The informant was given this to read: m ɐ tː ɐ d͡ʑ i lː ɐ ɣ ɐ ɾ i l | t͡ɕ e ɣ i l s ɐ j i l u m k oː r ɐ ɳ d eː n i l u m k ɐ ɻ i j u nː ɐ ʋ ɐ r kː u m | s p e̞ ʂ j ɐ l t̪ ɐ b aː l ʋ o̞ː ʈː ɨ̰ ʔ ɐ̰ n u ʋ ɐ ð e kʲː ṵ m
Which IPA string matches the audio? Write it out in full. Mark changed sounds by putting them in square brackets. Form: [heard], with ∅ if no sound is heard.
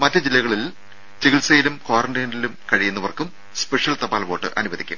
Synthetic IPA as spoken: m ɐ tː ɐ d͡ʑ i lː ɐ ɣ ɐ [ɭ] i l | t͡ɕ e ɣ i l s ɐ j i l u m k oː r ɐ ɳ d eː n i l u m k ɐ ɻ i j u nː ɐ ʋ ɐ r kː u m | s p e̞ ʂ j ɐ l t̪ ɐ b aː l ʋ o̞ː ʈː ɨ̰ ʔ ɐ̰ n u ʋ ɐ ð [i] kʲː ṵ m